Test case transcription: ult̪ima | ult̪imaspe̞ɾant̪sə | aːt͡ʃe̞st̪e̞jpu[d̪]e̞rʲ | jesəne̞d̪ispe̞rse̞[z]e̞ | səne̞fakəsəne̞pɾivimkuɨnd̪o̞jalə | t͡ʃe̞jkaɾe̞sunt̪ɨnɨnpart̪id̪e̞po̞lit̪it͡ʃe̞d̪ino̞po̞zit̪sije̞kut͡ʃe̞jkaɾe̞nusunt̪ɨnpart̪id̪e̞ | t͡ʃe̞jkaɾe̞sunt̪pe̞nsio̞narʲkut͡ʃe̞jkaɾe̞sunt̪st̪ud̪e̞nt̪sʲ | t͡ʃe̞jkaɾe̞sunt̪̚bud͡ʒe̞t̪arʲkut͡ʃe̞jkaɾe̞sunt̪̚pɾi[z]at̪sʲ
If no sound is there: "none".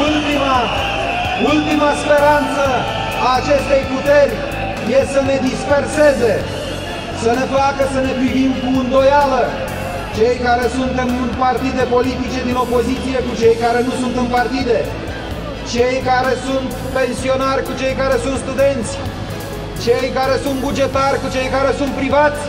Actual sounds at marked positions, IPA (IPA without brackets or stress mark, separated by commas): t̪, z, v